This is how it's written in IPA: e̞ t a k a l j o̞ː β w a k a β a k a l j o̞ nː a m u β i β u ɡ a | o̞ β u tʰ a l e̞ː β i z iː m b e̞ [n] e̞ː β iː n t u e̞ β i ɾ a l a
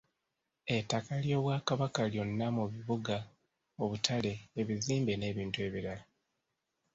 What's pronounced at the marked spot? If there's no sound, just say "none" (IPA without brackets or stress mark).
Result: n